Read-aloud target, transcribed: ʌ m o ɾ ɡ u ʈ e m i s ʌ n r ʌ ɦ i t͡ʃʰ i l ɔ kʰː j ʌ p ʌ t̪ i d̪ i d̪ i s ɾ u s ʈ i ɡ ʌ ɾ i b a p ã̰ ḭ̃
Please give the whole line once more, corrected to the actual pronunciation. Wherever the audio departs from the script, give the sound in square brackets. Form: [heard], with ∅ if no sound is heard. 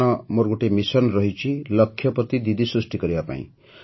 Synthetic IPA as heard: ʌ m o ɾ ɡ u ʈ e m i s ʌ n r ʌ ɦ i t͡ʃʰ i l [ʌ] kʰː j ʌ p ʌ t̪ i d̪ i d̪ i s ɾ u s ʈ i [k] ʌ ɾ i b a p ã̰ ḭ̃